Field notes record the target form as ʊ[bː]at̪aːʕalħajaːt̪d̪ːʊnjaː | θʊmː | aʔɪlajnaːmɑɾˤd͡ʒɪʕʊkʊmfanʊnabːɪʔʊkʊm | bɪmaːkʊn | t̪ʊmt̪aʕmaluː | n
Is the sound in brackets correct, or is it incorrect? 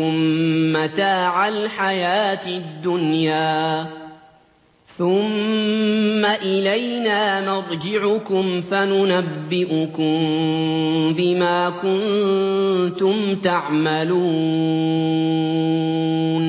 incorrect